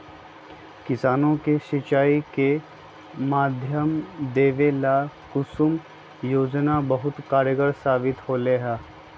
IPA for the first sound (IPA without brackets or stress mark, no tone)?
k